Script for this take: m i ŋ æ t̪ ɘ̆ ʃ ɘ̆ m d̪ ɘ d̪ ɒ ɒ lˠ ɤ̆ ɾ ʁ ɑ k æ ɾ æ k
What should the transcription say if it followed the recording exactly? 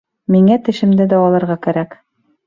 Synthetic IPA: m i ŋ æ t̪ ɘ̆ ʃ ɘ̆ m d̪ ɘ d̪ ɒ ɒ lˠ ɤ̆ ɾ ʁ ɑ k æ ɾ æ k